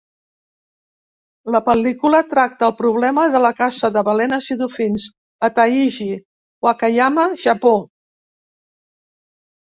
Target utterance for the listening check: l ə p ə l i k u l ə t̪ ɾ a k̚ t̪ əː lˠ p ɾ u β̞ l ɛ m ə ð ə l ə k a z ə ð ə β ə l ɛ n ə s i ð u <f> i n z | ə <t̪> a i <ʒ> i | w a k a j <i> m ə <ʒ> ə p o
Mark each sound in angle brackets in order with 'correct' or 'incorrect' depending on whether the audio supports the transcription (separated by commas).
correct, correct, correct, incorrect, correct